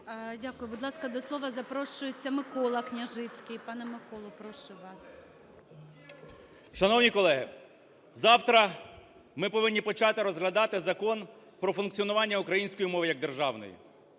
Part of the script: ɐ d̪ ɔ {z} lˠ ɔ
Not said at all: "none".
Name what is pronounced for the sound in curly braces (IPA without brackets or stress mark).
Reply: s